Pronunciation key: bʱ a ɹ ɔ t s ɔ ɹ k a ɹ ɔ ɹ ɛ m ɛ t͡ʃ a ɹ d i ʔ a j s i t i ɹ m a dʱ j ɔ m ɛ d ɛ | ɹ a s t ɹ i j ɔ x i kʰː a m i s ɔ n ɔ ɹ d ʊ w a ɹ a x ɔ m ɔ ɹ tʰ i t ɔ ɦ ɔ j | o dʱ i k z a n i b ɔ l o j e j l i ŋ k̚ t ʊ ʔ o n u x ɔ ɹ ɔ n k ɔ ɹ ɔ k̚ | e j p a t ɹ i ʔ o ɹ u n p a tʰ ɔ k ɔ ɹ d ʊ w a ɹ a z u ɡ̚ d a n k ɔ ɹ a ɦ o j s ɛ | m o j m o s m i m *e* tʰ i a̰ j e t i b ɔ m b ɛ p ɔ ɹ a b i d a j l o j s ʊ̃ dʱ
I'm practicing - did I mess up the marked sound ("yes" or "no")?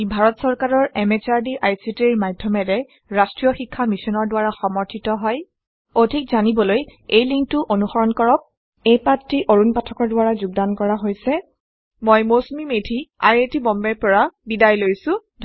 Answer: no